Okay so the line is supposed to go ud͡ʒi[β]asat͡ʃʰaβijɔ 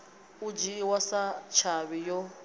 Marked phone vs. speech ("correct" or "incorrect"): incorrect